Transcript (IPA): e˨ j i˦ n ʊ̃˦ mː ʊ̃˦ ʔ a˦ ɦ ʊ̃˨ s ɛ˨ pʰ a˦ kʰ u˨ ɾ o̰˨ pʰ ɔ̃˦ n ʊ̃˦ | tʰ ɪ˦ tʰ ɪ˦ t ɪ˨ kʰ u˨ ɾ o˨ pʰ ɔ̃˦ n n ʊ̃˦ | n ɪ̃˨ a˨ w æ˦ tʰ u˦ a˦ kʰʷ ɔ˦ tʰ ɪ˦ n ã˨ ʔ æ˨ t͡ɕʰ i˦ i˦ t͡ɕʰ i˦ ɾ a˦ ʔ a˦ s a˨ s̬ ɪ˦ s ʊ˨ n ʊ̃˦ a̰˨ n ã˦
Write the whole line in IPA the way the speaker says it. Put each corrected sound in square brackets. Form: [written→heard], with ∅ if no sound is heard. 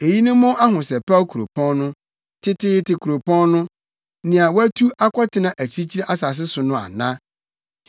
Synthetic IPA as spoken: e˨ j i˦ n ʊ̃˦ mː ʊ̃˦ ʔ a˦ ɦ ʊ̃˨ s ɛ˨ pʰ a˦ kʰ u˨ ɾ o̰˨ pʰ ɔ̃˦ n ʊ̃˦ | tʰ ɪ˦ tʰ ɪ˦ t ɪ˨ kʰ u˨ ɾ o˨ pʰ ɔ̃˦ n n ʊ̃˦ | n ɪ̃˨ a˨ w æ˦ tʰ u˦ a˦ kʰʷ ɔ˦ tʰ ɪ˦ n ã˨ ʔ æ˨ t͡ɕʰ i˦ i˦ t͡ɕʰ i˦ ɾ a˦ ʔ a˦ s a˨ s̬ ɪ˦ s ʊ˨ n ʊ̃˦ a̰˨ n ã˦

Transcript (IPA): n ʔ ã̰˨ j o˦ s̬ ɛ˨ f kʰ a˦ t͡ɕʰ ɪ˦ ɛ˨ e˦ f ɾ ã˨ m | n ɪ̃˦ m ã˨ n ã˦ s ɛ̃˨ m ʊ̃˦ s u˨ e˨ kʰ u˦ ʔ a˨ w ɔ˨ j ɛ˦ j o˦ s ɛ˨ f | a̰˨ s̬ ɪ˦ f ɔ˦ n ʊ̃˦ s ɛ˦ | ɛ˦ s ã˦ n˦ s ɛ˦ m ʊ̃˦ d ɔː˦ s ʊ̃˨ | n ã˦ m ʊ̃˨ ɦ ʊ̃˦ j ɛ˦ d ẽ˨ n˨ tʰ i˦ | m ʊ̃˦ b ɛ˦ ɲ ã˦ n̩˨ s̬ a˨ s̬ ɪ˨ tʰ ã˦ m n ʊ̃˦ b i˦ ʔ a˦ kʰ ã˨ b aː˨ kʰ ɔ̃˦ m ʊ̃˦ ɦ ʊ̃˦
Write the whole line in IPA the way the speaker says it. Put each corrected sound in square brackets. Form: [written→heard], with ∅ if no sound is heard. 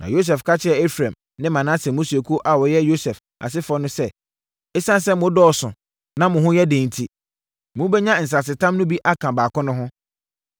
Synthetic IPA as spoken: n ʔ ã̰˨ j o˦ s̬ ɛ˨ f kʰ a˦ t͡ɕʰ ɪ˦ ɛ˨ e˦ f ɾ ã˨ m | n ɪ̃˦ m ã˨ n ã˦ s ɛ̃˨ m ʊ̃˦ s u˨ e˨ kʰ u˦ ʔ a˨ w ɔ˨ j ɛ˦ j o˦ s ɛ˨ f | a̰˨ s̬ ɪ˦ f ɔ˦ n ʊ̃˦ s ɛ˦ | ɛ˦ s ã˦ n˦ s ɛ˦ m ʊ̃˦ d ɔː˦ s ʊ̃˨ | n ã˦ m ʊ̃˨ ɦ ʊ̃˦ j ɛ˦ d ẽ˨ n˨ tʰ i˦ | m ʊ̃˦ b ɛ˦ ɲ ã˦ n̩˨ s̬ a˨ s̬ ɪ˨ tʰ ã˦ m n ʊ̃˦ b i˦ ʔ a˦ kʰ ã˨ b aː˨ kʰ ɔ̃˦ [m→n] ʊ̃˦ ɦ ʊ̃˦

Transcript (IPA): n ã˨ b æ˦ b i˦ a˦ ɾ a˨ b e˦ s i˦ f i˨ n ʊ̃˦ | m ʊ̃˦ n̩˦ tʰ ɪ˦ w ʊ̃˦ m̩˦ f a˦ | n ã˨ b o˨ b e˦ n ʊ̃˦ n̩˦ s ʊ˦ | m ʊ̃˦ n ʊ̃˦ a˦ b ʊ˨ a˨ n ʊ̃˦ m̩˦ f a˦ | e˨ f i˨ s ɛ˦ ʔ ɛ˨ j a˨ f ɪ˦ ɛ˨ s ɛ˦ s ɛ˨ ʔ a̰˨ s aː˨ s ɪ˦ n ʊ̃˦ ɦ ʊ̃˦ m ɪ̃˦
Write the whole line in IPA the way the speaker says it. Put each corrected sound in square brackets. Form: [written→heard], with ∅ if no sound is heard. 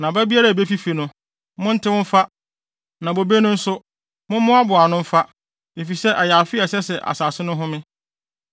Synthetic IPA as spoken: n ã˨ b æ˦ b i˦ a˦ ɾ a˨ b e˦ [s→f] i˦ f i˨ n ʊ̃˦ | m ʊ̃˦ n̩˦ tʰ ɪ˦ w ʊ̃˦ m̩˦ f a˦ | n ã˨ b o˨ b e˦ n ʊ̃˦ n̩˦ s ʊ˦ | m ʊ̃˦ [n→m] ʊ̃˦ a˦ b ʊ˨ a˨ n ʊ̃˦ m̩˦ f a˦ | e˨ f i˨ s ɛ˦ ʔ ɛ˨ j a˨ f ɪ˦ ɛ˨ s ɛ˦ s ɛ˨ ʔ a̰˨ s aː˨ s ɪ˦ n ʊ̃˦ ɦ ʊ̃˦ m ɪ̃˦

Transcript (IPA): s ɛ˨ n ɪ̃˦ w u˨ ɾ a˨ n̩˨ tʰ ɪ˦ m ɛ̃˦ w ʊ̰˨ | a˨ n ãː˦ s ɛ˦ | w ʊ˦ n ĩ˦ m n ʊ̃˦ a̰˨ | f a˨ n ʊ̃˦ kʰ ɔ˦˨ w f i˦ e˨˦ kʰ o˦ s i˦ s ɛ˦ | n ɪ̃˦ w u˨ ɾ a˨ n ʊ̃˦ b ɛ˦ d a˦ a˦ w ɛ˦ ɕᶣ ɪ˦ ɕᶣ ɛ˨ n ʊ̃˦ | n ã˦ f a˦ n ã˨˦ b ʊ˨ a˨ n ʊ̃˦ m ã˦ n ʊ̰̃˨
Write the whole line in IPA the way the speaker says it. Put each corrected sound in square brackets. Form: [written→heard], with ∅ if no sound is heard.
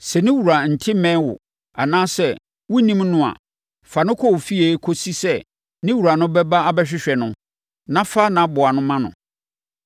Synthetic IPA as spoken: s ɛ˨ n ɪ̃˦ w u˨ ɾ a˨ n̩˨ tʰ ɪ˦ m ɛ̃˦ w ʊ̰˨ | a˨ n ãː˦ s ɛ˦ | w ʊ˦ n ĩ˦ m n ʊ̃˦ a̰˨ | f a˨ n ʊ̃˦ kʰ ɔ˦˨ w f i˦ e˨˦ kʰ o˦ s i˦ s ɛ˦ | n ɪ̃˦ w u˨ ɾ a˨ n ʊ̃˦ b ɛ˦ [d→b] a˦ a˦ [w→b] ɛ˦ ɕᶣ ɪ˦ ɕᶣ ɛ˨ n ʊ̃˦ | n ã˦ f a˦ n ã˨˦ b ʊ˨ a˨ n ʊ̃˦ m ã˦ n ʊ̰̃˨

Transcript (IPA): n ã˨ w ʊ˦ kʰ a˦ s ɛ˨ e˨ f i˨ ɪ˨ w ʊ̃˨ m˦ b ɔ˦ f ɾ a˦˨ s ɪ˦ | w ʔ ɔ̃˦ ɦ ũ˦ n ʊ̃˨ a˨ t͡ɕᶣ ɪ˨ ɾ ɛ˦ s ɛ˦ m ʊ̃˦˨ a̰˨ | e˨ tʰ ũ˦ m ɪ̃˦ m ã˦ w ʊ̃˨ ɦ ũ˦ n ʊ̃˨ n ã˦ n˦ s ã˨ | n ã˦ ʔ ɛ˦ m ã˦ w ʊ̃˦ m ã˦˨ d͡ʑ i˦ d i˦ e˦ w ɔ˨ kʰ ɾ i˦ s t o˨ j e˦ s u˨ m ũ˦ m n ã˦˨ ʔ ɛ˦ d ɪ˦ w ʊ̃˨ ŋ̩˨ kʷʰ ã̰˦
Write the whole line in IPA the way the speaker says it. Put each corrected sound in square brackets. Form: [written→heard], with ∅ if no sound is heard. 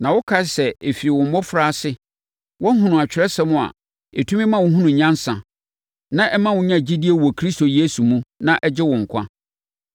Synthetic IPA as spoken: n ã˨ w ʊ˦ kʰ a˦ s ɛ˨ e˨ f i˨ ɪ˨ w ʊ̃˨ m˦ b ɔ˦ f ɾ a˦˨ s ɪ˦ | w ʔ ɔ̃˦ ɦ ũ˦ n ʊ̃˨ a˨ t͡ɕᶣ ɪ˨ ɾ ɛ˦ s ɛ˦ m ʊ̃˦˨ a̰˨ | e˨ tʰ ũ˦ m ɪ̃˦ m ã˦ w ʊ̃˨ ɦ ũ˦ n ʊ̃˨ [n→ɲ] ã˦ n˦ s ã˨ | n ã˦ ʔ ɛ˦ m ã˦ w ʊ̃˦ [m→ɲ] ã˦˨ d͡ʑ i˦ d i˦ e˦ w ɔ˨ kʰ ɾ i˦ s t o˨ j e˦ s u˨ m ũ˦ [m→∅] n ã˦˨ ʔ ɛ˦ [d→d͡ʑ] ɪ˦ w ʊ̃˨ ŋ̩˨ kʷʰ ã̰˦

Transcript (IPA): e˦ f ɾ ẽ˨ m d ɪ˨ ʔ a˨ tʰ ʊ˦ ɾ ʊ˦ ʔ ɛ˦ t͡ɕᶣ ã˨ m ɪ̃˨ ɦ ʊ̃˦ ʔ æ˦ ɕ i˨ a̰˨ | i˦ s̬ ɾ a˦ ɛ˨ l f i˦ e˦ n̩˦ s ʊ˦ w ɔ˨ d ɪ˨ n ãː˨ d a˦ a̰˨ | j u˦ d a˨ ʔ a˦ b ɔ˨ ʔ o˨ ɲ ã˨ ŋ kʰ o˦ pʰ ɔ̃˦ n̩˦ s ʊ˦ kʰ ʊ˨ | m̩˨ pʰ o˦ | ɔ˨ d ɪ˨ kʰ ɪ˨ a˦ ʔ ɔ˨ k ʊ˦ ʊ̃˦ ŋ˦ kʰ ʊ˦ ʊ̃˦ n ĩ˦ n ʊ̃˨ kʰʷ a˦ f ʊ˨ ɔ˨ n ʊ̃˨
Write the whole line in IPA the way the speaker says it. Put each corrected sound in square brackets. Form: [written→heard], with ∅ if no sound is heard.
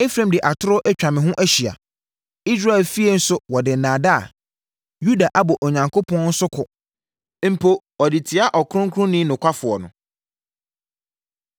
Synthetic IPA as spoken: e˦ f ɾ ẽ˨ m d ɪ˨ ʔ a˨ tʰ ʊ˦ ɾ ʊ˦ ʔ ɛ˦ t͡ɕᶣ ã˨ m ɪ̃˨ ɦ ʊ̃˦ ʔ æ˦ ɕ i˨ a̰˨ | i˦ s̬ ɾ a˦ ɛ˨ l f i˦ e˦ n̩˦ s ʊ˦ w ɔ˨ d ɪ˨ n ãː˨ d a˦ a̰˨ | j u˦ d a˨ ʔ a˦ b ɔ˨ ʔ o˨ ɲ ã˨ ŋ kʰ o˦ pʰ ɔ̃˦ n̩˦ s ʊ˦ kʰ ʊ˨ | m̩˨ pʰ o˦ | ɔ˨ d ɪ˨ [kʰ→tʰ] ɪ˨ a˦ ʔ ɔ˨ k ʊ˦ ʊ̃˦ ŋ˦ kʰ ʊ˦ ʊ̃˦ n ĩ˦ n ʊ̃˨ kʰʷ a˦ f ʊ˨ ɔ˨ n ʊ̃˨

